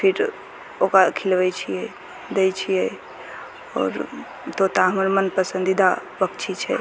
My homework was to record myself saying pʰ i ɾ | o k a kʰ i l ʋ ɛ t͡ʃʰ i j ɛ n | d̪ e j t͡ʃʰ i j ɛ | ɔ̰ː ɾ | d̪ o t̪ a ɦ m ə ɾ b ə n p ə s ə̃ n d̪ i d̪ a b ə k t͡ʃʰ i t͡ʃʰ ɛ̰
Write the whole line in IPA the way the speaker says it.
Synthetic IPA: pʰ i ɾ | o k a kʰ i l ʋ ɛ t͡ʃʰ i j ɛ | d̪ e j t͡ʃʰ i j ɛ | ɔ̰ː ɾ | t̪ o t̪ a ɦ m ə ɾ m ə n p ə s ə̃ n d̪ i d̪ a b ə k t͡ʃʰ i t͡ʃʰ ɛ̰